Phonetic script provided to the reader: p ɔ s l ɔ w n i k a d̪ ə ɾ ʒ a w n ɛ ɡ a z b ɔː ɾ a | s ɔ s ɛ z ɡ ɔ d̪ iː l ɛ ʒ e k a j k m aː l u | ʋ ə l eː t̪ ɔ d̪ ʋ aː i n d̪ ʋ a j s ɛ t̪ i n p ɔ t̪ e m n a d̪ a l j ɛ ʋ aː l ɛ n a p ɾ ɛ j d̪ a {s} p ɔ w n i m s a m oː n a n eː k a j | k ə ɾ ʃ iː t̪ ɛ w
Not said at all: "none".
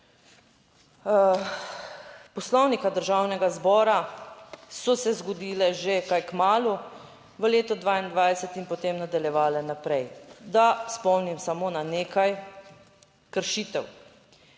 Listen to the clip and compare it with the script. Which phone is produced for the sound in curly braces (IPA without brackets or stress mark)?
s